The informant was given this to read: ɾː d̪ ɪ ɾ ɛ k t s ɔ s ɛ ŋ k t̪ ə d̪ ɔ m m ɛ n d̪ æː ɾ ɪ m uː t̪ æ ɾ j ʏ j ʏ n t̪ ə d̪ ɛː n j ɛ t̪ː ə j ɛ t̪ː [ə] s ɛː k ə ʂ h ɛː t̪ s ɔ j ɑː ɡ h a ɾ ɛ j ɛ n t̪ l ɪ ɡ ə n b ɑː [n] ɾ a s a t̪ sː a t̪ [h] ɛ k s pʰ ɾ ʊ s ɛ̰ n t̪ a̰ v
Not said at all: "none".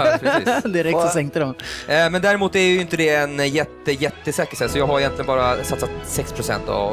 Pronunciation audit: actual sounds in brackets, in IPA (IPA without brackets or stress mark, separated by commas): ə, none, s